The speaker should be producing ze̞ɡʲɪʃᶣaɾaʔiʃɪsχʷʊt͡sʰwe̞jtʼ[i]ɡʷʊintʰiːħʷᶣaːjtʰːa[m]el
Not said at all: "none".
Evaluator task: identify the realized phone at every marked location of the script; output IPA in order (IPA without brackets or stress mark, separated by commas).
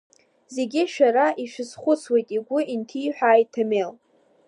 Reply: i, m